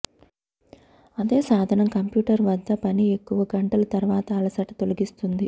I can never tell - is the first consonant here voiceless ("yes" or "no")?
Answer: no